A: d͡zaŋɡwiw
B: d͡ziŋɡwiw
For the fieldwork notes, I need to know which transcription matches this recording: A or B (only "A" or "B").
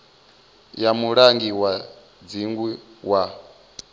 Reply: B